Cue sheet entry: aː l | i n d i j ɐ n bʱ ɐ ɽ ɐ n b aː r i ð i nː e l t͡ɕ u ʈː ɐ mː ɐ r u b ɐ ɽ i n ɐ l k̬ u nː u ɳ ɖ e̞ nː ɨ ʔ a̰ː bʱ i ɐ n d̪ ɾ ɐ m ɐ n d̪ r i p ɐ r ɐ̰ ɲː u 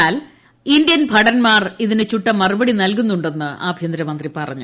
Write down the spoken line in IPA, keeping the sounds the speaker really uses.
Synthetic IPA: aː l | i n d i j ɐ n bʱ ɐ ɽ ɐ n m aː r i ð i n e t͡ɕ u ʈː ɐ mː ɐ r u b ɐ ɽ i n ɐ l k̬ u nː u ɳ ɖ e̞ nː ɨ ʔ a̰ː bʱ j ɐ n d̪ ɾ ɐ m ɐ n d̪ r i p ɐ r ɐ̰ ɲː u